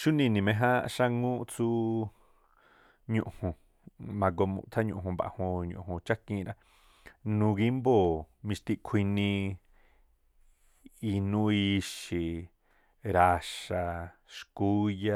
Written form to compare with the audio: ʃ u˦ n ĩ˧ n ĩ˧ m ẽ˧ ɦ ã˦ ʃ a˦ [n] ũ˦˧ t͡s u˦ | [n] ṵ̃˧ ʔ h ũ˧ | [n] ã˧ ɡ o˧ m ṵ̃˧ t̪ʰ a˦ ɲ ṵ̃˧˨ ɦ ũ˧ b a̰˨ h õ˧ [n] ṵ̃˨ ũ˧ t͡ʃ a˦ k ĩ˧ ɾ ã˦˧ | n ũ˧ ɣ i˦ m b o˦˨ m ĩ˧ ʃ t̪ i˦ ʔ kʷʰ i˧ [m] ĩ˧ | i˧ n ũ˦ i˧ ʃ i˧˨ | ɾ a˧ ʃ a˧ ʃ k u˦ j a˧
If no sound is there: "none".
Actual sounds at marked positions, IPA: ŋ, ɲ, m, ɲ, n

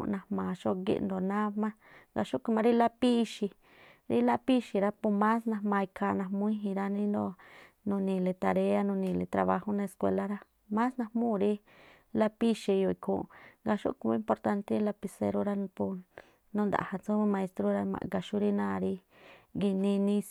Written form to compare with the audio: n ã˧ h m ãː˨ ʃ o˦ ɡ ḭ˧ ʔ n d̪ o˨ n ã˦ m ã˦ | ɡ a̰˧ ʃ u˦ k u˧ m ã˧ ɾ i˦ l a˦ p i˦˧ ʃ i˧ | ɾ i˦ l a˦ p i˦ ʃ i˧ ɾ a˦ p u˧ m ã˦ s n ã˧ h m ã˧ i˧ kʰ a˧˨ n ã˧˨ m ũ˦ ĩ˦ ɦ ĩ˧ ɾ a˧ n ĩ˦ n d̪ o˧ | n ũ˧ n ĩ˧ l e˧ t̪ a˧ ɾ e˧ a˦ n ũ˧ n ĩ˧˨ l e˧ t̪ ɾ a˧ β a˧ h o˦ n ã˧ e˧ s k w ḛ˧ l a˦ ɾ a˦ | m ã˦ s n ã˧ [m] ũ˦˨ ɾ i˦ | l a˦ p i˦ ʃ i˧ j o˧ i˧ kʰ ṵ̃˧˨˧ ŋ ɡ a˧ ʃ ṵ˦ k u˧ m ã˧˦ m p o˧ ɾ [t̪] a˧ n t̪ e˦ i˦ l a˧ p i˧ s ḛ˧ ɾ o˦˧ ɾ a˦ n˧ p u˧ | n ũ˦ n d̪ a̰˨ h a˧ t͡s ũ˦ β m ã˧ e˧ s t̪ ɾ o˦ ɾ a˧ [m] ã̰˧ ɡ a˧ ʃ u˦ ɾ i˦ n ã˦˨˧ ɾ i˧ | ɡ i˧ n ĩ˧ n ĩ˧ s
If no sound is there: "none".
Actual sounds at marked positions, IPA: m, t̪, m

